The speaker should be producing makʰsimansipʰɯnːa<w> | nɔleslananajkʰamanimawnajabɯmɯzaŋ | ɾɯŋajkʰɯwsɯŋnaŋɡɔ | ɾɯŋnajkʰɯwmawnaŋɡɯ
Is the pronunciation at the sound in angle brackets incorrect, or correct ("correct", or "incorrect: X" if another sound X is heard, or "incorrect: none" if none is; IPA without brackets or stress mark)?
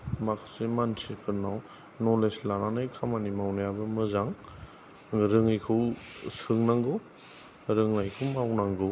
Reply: correct